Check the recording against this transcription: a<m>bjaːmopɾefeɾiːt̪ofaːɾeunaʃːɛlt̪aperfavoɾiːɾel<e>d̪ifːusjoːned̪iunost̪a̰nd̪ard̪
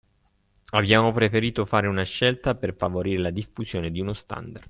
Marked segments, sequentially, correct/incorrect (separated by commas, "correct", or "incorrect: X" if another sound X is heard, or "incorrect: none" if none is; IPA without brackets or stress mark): incorrect: none, incorrect: a